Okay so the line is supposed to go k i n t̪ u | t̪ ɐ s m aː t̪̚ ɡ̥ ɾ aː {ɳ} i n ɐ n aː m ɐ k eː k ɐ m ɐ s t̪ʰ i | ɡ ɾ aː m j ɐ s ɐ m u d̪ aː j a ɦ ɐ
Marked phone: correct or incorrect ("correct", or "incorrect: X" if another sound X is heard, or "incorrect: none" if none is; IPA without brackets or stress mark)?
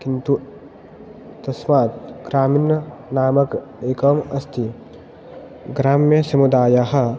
incorrect: m